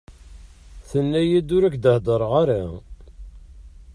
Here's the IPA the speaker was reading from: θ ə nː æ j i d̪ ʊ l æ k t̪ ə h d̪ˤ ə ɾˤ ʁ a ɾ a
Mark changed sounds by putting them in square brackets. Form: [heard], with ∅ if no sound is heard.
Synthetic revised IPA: θ ə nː æ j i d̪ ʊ [ɾ] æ k [d̪] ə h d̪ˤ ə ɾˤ ʁ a ɾ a